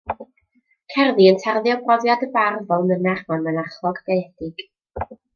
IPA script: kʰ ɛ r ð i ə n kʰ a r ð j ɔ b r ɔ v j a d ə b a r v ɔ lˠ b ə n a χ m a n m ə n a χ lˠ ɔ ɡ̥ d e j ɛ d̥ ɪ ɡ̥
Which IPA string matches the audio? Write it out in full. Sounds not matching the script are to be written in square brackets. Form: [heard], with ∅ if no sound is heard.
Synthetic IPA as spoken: kʰ ɛ r ð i ə n [tʰ] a r ð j ɔ b r ɔ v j a d ə b a r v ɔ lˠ [m] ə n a χ m a n m ə n a χ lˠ ɔ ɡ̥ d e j ɛ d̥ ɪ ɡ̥